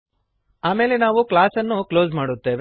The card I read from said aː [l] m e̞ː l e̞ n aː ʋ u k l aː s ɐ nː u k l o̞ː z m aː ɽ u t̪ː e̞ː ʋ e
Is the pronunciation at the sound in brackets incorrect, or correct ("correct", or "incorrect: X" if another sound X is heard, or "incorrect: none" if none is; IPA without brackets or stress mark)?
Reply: incorrect: none